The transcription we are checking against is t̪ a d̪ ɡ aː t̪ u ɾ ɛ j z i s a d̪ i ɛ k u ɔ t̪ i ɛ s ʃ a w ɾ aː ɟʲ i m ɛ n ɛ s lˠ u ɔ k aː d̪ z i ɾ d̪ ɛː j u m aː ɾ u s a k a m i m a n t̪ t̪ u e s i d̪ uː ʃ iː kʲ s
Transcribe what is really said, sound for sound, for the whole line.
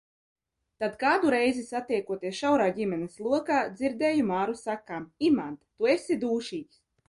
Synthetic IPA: t̪ a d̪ k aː d̪ u ɾ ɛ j z i s a t̪ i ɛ k u ɔ t̪ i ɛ s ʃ a w ɾ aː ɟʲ i m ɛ n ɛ s lˠ u ɔ k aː d̪ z i ɾ d̪ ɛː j u m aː ɾ u s a k a m i m a n t̪ t̪ u e s i d̪ uː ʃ iː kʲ s